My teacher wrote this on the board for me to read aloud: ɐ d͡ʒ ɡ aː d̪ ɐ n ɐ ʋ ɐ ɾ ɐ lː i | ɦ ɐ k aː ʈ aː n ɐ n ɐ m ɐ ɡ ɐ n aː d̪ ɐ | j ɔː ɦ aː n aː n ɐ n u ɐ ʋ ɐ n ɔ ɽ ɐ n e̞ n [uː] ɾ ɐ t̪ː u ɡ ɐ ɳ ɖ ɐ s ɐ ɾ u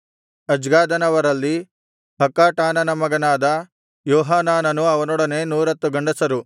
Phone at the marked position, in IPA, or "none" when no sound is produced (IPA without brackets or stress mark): uː